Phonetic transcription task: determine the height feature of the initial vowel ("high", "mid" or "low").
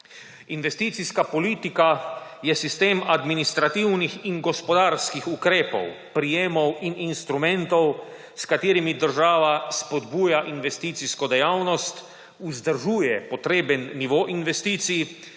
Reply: high